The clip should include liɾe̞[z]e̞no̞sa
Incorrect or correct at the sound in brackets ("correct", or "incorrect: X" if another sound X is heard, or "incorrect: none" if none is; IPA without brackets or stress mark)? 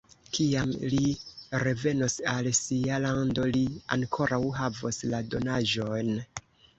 incorrect: v